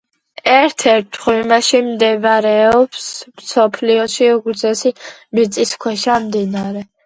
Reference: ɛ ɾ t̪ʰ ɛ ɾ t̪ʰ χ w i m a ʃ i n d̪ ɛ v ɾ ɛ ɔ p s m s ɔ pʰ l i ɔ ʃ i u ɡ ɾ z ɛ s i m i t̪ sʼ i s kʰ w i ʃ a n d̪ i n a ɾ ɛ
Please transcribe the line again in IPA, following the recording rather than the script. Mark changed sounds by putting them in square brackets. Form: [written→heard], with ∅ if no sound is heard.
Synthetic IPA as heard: ɛ ɾ t̪ʰ ɛ ɾ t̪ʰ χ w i m a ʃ i [n→m] d̪ ɛ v ɾ ɛ ɔ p s m s ɔ pʰ l i ɔ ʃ i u ɡ ɾ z ɛ s i m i t̪ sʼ i s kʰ w [i→ɛ] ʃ a [n→m] d̪ i n a ɾ ɛ